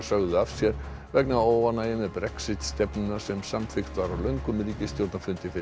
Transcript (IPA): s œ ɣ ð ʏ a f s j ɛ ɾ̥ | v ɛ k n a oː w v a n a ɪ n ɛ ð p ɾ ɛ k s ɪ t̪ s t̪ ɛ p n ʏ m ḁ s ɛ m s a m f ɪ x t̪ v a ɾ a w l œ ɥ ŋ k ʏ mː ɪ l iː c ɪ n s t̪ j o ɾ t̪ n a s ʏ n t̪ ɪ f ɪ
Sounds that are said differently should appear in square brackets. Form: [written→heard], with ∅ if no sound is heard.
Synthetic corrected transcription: s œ ɣ ð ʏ a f s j ɛ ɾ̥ | v ɛ k n a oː w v a n a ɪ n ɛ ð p ɾ ɛ k s ɪ t̪ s t̪ ɛ p n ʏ [m→n] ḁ s ɛ m s a m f ɪ x t̪ v a ɾ a w l œ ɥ ŋ k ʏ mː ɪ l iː c ɪ [n→∅] s t̪ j o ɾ t̪ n a [s→f] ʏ n t̪ ɪ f ɪ

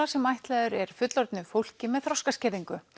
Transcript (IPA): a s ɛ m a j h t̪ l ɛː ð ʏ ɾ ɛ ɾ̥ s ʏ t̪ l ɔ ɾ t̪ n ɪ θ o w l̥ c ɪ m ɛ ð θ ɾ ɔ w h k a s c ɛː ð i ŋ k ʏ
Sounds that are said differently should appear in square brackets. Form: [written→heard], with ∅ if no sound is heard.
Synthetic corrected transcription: a s ɛ m a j h t̪ l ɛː ð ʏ ɾ ɛ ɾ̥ [s→f] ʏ t̪ l ɔ ɾ t̪ n ɪ [θ→f] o w l̥ c ɪ m ɛ ð θ ɾ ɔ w [h→s] k a s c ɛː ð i ŋ k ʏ

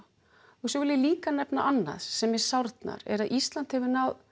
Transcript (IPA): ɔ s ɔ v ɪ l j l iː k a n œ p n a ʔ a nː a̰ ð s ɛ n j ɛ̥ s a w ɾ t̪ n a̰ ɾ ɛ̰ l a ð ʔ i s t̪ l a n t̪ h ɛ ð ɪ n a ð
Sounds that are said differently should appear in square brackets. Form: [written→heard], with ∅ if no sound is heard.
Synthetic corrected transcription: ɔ s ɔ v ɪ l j l iː k a n [œ→ɛ] p n a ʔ a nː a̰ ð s ɛ [n→m] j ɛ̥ s a w ɾ t̪ n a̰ ɾ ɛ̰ [l→ɾ] a ð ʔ i s t̪ l a n t̪ h ɛ [ð→v] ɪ n a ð

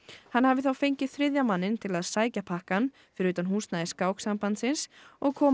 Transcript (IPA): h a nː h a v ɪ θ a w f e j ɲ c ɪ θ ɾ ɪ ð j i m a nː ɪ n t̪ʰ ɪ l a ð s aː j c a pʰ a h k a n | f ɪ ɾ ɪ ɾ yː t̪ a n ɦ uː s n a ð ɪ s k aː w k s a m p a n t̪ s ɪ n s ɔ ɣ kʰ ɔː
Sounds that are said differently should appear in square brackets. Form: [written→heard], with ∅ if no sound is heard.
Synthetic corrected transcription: h a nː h a v ɪ θ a w f e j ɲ c ɪ θ ɾ ɪ ð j [i→a] m a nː ɪ n t̪ʰ ɪ l a ð s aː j c a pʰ a h k a n | f ɪ ɾ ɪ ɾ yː t̪ a n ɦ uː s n a ð ɪ s k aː w k s a m p a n t̪ s ɪ n s ɔ ɣ kʰ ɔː

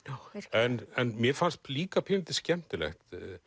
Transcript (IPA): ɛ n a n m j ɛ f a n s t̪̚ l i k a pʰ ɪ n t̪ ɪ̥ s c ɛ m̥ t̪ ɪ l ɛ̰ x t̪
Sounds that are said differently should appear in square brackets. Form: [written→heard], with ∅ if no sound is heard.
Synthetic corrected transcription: ɛ n [a→ɛ] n m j ɛ f a n s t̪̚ l [i→iː] k a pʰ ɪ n t̪ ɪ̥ s c ɛ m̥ t̪ ɪ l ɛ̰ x t̪

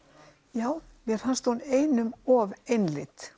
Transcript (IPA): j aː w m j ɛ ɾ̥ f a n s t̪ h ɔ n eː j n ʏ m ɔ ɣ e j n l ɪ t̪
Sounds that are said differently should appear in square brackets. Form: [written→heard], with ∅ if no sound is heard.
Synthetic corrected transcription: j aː w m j ɛ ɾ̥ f a n s t̪ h [ɔ→u] n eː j n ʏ m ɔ [ɣ→v] e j n l ɪ t̪

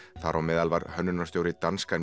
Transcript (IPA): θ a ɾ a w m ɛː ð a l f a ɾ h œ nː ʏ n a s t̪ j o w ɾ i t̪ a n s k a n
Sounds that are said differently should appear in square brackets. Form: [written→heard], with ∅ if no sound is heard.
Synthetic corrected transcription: θ a ɾ a w m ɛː ð a l [f→v] a ɾ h œ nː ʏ n a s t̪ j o w ɾ [i→ɪ] t̪ a n s k a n

